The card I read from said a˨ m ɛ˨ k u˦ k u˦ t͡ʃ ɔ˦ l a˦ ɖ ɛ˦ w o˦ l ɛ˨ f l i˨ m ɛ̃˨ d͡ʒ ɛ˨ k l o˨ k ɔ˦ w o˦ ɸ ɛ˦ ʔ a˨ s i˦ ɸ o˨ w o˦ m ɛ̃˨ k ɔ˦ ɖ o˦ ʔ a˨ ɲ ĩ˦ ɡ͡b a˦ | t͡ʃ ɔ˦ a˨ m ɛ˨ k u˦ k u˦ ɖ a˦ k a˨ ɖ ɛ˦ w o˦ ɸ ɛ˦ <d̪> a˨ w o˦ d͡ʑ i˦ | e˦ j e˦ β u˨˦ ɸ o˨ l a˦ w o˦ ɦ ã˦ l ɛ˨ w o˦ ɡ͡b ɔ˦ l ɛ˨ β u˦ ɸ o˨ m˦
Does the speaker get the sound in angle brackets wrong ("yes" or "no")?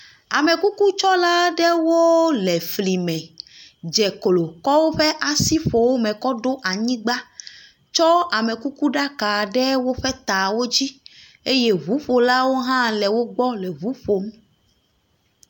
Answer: yes